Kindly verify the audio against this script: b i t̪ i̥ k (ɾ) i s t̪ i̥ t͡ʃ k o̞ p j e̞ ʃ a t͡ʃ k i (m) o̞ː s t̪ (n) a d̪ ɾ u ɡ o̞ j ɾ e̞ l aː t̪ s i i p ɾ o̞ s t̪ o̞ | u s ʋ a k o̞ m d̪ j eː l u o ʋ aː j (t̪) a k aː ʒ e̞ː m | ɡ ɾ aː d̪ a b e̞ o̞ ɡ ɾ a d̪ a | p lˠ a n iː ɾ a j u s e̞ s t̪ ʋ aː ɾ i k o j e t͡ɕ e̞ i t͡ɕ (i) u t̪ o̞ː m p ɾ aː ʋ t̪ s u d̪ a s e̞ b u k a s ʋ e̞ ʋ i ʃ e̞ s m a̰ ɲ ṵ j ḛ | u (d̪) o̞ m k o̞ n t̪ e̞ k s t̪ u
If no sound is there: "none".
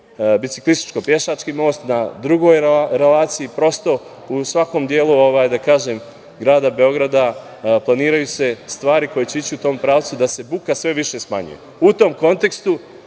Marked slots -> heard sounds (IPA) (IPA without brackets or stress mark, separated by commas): l, m, n, d̪, i, t̪